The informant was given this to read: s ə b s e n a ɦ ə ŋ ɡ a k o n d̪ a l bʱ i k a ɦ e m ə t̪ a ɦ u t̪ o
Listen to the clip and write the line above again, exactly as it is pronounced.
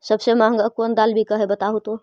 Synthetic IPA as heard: s ə b s e m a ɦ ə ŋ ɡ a k o n d̪ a l bʱ i k ə ɦ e b ə t̪ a ɦ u t̪ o